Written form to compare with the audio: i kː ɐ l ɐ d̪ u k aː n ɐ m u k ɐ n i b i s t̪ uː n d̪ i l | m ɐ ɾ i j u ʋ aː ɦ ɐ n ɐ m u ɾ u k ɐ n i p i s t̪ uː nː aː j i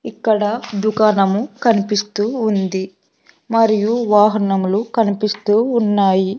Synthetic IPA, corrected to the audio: i kː ɐ ɽ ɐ d̪ u k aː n ɐ m u k ɐ n i p i s t̪ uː n d̪ i | m ɐ ɾ i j u ʋ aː ɦ ɐ n ɐ m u l u k ɐ n i p i s t̪ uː nː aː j i